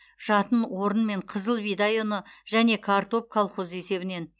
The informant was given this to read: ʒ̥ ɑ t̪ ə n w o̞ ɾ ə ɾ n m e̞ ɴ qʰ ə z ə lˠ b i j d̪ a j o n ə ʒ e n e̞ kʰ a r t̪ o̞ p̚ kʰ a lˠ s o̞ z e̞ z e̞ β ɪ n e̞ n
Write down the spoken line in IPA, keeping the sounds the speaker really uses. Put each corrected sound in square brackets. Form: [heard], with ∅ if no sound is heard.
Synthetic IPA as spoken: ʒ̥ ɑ t̪ ə n w o̞ ɾ ə [∅] n m e̞ ɴ qʰ ə z ə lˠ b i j d̪ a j o n ə ʒ [æ] n e̞ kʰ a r t̪ o̞ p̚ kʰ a lˠ [χ] o̞ z e̞ [s] e̞ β ɪ n e̞ n